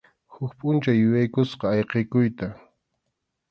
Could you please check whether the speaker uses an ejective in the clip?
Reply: yes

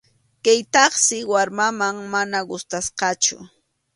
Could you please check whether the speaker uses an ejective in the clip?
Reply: no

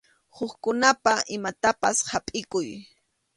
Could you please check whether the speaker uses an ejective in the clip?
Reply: yes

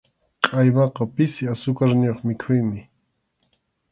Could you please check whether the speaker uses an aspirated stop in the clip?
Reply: yes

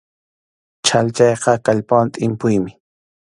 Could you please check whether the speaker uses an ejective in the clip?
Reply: yes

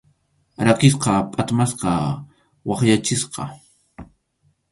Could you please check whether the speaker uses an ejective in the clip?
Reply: yes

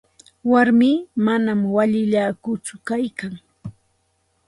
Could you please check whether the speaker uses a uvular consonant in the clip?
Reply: no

